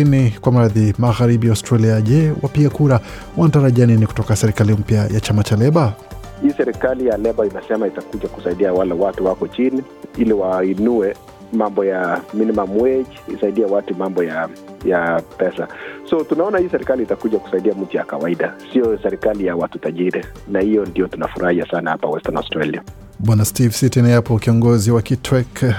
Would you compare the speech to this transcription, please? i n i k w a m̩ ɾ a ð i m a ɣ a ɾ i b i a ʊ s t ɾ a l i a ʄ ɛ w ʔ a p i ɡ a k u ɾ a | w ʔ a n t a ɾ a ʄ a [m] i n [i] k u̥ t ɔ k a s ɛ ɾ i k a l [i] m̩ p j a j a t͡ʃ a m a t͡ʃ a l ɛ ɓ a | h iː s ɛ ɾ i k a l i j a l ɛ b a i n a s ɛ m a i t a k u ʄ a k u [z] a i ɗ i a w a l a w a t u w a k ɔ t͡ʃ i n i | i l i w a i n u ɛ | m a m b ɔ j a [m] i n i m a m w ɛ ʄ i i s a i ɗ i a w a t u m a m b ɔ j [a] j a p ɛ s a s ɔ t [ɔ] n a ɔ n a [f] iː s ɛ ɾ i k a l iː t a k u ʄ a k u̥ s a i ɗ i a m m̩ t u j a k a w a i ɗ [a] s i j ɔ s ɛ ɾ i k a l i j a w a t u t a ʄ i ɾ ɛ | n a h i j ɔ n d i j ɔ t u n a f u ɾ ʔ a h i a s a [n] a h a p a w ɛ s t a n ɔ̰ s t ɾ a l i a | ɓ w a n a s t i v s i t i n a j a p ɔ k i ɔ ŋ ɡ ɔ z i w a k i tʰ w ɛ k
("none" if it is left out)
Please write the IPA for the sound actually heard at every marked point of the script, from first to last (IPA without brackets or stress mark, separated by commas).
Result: n, i, i, s, m, a, u, h, a, n